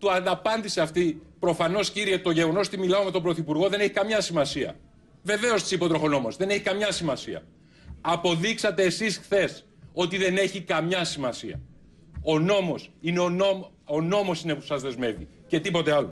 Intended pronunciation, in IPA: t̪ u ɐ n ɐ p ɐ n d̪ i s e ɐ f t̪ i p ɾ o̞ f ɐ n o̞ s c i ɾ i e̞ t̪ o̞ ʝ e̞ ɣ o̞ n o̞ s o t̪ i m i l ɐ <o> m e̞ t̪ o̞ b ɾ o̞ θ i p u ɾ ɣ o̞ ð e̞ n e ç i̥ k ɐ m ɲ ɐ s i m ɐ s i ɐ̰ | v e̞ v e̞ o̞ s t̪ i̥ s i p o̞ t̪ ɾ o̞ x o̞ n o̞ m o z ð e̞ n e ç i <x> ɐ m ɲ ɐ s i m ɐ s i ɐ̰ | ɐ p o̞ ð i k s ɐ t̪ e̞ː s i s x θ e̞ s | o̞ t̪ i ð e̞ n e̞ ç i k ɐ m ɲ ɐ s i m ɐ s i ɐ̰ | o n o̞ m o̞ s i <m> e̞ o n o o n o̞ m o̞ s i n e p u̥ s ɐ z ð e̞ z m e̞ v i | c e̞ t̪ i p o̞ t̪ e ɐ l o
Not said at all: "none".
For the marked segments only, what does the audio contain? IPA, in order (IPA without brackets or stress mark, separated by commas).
o, k, n